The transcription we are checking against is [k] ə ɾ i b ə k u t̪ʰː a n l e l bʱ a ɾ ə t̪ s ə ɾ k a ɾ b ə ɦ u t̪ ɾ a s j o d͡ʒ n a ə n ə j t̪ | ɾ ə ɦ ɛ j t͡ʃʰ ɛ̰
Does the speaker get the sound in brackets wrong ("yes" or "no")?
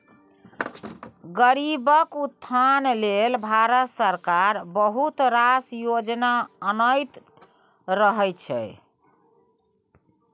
yes